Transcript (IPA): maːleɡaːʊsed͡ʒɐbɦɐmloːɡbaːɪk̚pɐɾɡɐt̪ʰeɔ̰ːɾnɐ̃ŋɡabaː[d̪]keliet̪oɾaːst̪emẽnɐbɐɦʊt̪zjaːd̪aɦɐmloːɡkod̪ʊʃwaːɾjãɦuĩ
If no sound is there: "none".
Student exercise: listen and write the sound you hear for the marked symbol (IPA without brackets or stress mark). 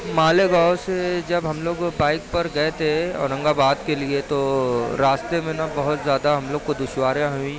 d̪